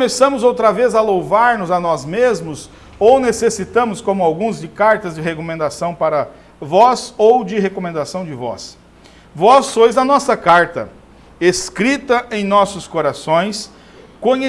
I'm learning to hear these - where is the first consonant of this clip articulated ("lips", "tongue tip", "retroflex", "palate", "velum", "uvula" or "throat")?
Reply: lips